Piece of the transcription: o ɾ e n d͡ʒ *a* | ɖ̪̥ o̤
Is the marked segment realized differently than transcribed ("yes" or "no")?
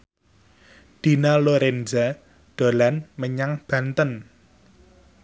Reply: no